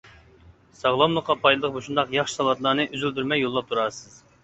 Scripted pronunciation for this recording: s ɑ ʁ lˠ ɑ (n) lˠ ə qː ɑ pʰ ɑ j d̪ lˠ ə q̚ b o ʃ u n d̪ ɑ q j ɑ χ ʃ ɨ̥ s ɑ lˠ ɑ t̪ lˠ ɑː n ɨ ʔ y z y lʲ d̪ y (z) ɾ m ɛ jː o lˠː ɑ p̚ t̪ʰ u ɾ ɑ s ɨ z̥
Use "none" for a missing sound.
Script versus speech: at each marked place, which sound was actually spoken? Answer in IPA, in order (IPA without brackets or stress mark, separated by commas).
m, none